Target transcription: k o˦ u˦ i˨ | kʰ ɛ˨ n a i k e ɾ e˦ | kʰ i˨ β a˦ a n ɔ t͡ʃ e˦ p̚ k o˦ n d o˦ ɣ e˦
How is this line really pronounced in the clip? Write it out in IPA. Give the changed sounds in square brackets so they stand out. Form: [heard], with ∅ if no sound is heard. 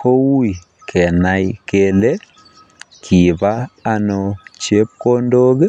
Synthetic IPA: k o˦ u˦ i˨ | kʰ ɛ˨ n a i k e [l] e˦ | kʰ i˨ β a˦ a n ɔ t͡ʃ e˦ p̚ k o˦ n d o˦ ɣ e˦